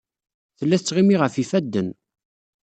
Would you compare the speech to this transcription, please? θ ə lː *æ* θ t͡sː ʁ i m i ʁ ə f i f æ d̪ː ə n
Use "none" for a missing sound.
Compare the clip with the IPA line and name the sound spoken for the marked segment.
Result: æ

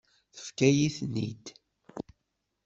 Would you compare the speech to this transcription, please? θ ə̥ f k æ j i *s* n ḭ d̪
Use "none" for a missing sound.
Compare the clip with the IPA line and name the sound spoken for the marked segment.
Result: θ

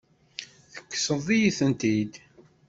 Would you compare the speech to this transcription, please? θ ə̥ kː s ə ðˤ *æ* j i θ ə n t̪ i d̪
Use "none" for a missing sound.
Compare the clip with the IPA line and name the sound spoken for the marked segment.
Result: i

